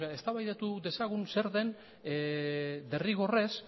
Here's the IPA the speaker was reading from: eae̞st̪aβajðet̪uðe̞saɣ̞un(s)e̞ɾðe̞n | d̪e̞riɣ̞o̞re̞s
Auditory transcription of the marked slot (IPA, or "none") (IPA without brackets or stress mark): s